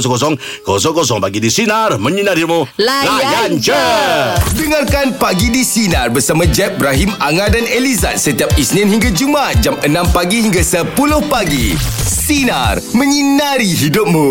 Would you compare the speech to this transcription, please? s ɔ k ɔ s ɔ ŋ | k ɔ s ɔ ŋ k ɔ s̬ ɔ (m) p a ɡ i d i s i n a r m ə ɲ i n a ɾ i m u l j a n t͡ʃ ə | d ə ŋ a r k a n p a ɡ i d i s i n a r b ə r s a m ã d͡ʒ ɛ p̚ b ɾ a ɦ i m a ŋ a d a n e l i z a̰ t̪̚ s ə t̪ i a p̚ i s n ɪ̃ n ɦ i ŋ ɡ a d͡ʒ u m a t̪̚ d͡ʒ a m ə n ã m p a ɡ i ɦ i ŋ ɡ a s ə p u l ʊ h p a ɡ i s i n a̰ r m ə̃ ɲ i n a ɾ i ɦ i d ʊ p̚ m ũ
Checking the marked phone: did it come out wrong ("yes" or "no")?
yes